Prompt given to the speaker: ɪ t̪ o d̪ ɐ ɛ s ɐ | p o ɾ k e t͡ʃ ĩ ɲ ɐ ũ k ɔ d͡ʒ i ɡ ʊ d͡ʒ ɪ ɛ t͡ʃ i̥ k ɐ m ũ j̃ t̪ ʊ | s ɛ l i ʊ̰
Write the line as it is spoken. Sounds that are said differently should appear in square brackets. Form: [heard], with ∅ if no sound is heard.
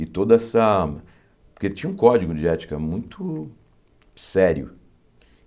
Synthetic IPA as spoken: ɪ t̪ o d̪ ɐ ɛ s ɐ | p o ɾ k e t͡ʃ ĩ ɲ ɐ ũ k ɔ d͡ʒ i ɡ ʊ d͡ʒ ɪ ɛ t͡ʃ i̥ k ɐ m ũ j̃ t̪ ʊ | s ɛ [ɾ] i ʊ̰